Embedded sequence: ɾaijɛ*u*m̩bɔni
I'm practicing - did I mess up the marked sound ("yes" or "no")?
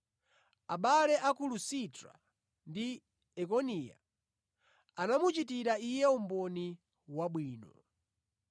no